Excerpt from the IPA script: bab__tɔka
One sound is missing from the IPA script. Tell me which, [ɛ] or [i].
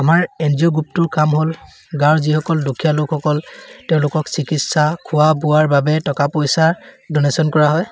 ɛ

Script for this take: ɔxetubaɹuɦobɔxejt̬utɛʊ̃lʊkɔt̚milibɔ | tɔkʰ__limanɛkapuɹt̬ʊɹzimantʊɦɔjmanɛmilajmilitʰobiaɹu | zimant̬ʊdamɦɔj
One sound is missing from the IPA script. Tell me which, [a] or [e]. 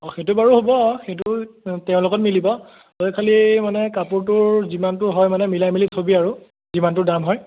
a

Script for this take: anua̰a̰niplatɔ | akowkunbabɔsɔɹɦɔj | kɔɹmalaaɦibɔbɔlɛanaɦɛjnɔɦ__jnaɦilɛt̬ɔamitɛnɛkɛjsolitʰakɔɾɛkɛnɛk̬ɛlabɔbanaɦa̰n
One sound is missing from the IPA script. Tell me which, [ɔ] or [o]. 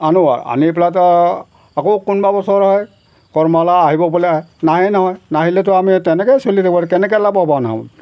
ɔ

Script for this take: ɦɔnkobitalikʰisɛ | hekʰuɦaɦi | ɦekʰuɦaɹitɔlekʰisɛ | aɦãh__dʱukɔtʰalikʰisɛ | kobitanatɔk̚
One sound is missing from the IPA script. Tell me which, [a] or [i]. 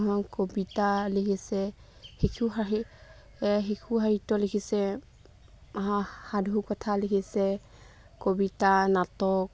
a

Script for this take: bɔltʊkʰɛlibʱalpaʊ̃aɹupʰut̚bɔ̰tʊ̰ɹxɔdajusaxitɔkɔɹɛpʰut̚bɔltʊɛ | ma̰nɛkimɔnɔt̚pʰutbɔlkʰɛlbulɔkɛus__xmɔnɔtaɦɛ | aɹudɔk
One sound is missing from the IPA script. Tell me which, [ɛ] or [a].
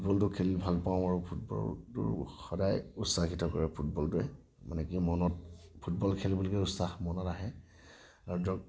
a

